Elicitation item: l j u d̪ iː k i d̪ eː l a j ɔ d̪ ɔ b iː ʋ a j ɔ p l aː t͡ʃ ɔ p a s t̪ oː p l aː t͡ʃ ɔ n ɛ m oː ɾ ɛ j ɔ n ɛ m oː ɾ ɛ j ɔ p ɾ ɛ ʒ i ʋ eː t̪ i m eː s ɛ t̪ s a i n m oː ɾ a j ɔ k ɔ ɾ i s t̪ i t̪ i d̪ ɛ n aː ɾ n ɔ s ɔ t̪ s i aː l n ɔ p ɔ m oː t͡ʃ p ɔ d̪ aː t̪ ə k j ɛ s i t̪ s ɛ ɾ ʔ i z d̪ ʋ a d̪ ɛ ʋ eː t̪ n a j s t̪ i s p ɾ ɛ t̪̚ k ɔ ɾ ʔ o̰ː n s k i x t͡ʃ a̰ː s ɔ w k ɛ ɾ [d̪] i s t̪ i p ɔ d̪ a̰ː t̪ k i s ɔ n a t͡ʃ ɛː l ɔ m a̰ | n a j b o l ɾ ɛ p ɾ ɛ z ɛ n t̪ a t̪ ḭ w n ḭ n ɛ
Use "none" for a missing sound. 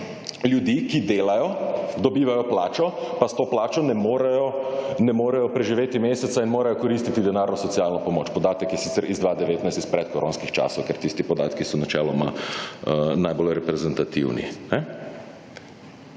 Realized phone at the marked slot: t̪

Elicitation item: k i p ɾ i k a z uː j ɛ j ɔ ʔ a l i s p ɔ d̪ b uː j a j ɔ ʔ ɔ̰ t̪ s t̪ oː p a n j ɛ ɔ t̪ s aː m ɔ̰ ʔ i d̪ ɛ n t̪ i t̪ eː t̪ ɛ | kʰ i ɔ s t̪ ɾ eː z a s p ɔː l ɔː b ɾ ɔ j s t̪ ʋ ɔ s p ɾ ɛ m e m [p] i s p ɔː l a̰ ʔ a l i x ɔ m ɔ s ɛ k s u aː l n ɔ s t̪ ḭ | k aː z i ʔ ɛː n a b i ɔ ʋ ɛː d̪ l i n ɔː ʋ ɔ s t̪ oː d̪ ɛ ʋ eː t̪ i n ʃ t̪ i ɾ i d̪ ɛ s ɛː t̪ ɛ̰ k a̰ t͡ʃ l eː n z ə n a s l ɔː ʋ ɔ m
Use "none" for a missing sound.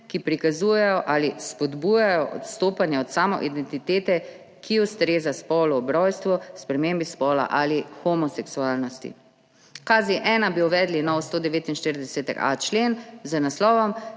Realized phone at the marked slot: b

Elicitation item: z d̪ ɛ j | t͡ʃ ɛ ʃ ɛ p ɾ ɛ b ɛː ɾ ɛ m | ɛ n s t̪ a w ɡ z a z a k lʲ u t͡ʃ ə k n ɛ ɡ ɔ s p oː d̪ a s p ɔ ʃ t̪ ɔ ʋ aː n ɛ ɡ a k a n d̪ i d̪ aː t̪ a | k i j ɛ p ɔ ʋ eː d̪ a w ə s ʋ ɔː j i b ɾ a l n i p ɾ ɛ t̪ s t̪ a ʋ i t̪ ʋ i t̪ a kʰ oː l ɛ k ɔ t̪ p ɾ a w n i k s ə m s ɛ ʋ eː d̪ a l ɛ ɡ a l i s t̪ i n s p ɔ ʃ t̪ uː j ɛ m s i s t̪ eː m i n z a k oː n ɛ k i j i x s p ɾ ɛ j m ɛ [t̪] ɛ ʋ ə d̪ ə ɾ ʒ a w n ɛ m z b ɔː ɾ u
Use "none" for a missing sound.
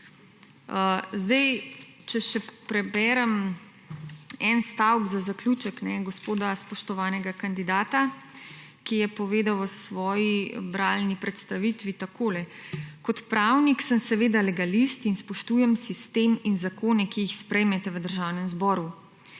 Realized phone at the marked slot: t̪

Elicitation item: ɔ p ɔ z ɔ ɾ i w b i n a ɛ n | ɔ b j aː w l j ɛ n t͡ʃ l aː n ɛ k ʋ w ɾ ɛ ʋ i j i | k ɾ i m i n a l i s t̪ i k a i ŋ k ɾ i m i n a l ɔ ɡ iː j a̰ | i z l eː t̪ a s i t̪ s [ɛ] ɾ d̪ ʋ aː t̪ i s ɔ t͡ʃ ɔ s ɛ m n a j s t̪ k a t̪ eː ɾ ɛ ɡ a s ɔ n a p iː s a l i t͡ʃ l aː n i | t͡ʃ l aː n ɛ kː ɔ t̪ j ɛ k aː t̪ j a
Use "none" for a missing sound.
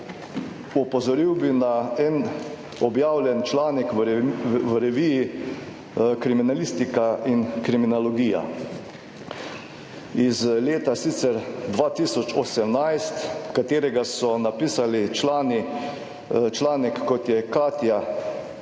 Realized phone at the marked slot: ɛ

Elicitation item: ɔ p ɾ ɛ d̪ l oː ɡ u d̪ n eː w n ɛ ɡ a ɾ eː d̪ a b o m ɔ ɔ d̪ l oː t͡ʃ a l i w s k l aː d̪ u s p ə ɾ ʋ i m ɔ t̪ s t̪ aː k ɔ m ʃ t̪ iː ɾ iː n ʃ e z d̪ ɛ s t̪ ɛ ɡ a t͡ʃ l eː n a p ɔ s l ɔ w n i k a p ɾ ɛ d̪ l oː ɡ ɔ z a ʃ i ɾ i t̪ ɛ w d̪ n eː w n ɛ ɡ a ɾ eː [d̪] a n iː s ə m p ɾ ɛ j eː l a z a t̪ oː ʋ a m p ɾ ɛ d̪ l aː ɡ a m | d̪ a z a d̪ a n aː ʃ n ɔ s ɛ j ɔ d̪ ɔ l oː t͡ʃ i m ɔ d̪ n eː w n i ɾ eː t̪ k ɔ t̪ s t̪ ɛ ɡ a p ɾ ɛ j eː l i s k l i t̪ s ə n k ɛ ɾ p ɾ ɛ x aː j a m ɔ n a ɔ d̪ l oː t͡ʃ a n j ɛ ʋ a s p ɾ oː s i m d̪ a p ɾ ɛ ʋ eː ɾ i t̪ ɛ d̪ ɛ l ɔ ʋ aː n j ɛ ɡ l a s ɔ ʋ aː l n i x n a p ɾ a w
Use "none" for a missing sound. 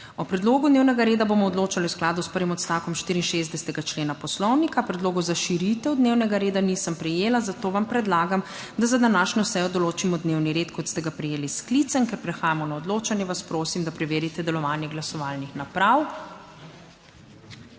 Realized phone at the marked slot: d̪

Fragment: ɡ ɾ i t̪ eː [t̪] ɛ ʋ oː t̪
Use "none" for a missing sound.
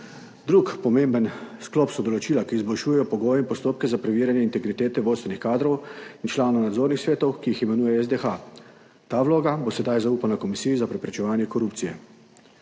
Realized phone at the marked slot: t̪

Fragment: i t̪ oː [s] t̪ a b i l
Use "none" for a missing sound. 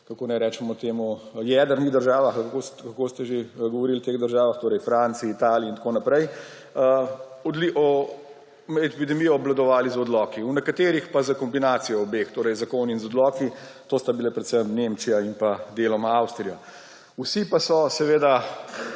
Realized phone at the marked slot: s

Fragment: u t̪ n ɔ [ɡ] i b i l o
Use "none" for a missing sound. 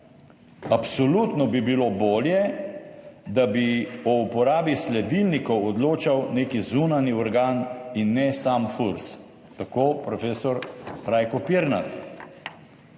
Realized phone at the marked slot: b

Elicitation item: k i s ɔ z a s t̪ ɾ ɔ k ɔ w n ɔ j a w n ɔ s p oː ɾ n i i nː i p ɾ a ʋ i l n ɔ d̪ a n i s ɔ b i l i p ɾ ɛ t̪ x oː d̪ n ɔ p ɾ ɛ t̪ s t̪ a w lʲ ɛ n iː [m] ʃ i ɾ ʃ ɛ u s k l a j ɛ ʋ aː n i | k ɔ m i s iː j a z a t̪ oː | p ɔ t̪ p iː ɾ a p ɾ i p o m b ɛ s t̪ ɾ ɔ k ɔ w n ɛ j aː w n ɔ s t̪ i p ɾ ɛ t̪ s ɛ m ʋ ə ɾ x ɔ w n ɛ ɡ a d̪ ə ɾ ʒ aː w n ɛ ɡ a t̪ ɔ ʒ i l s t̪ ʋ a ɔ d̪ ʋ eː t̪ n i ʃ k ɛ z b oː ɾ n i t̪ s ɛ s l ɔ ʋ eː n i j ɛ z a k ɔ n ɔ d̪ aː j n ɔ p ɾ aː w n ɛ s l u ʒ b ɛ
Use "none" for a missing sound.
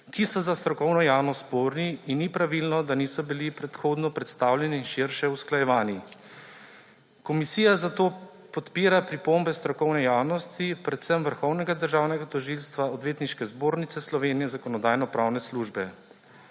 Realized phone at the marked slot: n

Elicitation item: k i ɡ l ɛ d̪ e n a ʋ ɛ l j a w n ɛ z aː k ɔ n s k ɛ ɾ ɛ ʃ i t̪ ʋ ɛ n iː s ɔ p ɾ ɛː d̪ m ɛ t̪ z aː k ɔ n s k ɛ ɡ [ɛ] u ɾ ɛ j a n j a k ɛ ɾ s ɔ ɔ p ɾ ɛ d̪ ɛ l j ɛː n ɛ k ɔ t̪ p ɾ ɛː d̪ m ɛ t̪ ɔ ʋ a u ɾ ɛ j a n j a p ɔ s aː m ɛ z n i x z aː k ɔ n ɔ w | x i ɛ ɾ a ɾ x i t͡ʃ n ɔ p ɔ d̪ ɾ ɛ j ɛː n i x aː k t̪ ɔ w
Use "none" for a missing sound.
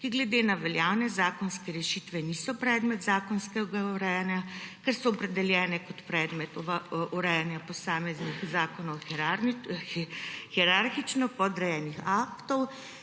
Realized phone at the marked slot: a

